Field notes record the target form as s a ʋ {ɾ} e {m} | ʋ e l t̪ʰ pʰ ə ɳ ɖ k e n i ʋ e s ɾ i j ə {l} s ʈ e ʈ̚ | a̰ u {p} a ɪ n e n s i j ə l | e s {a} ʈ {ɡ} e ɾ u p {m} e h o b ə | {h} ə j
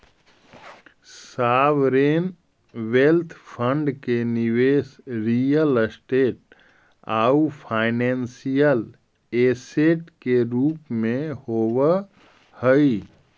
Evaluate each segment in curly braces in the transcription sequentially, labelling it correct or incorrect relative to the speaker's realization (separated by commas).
correct, incorrect, correct, incorrect, incorrect, incorrect, correct, correct